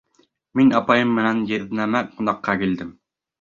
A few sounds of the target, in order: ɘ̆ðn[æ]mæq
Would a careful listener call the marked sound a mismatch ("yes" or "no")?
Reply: no